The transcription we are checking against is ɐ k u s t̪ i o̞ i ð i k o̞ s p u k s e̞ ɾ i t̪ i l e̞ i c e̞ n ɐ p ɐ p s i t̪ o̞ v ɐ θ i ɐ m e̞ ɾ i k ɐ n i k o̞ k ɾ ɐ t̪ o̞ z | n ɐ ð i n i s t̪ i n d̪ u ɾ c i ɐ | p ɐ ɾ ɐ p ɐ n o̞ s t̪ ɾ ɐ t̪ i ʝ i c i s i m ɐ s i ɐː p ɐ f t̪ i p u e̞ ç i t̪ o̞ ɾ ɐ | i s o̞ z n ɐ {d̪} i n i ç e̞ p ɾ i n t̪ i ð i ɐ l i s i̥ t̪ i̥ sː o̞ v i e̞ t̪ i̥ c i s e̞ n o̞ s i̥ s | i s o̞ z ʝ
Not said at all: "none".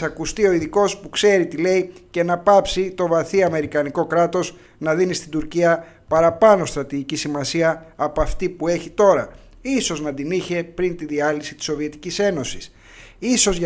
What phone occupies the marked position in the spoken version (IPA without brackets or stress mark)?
d̪